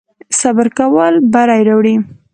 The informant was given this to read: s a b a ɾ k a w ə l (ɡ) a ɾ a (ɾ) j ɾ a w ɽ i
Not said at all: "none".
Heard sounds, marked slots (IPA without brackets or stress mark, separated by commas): b, none